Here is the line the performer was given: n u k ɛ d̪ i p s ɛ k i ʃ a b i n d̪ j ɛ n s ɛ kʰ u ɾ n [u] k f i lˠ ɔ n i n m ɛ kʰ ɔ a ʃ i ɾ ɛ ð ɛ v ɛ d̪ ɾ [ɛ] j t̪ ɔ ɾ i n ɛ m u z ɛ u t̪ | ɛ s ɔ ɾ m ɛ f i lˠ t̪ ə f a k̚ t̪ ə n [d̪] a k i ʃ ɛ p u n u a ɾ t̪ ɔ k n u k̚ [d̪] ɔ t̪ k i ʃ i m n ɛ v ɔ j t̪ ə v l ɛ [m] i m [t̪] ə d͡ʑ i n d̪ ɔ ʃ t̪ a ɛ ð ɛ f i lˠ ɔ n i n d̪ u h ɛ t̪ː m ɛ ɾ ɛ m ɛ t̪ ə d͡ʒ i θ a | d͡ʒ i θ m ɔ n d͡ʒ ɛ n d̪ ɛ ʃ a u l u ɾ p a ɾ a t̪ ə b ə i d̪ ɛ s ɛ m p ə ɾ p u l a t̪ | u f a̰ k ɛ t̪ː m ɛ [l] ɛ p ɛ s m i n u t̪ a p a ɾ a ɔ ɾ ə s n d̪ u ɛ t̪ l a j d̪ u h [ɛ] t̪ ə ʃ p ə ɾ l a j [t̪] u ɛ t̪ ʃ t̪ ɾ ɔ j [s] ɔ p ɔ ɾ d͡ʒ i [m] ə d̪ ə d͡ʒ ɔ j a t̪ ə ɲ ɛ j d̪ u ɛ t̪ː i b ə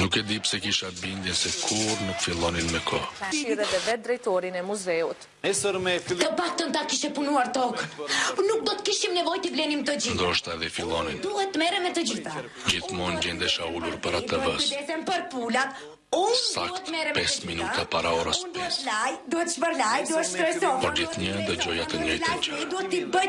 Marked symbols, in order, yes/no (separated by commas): yes, yes, no, yes, no, yes, no, yes, no, yes, no